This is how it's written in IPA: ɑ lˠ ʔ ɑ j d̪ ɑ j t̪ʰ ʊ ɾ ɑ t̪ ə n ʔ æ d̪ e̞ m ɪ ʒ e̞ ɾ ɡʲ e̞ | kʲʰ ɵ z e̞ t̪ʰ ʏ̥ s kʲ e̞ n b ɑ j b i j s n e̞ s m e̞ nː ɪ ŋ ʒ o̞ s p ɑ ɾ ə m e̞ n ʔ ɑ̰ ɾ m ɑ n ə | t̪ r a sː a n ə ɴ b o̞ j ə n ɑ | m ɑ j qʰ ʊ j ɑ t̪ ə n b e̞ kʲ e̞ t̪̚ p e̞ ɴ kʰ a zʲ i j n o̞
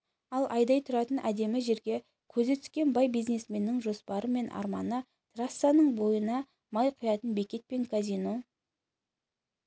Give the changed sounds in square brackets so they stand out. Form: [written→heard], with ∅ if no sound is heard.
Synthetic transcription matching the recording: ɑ lˠ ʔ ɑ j d̪ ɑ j t̪ʰ ʊ ɾ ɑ t̪ ə n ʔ æ d̪ e̞ m ɪ ʒ e̞ ɾ ɡʲ e̞ | kʲʰ ɵ z e̞ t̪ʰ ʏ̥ s kʲ e̞ n b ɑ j b i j [s→z] n e̞ s m e̞ nː ɪ ŋ ʒ o̞ s p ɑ ɾ ə m e̞ n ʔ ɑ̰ ɾ m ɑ n ə | t̪ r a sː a n ə ɴ b o̞ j ə n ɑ | m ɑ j qʰ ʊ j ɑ t̪ ə n b e̞ kʲ e̞ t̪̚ p e̞ [ɴ→ŋ] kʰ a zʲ i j n o̞